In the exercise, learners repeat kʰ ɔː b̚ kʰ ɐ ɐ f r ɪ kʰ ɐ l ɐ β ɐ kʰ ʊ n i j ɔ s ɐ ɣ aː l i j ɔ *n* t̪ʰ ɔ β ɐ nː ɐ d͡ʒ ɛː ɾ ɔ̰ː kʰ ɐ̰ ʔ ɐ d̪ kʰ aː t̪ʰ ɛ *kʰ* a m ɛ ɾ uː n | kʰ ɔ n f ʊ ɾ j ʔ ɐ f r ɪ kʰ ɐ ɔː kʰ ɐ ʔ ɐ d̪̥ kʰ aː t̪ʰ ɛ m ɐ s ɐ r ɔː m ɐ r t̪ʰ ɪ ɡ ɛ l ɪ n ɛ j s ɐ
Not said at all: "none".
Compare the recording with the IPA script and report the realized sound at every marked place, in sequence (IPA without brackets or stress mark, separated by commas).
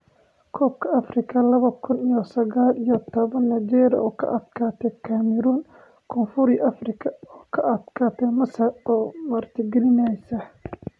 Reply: none, kʰ